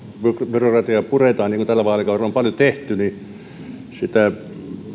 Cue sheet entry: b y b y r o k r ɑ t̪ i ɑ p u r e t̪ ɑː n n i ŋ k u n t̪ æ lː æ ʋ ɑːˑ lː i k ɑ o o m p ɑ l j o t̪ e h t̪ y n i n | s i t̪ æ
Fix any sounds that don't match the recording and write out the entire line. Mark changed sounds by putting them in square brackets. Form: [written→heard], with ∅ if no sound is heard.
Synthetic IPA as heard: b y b y r o k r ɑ t̪ i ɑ p u r e t̪ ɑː n n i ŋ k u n t̪ æ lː æ ʋ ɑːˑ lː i k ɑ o o m p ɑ l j o t̪ e h t̪ y n i [n→∅] | s i t̪ æ